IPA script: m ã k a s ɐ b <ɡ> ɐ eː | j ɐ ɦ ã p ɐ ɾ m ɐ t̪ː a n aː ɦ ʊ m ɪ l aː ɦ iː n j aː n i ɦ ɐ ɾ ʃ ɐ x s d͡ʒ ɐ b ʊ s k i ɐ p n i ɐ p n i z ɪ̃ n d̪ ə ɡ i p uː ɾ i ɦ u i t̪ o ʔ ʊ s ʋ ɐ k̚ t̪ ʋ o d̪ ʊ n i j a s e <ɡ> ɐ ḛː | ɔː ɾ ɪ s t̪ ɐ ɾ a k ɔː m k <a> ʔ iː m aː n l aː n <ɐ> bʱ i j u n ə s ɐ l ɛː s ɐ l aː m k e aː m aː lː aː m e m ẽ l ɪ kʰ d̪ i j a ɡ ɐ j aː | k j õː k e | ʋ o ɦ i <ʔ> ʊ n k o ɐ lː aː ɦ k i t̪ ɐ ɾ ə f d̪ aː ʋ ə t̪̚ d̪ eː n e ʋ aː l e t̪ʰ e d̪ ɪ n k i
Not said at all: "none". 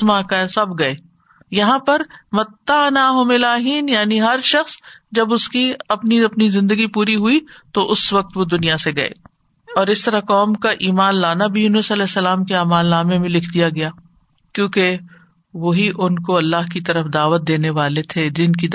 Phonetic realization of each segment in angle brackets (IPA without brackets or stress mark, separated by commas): ɡ, ɡ, a, a, ʔ